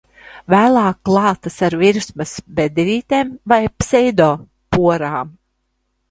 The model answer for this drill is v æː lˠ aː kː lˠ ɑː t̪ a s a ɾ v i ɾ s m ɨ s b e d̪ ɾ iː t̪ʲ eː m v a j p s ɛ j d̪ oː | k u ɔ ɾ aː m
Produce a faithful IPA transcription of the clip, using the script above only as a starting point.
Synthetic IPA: v æː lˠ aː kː lˠ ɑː t̪ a s a ɾ v i ɾ s m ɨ s b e d̪ ɾ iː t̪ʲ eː m v a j p s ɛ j d̪ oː | p u ɔ ɾ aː m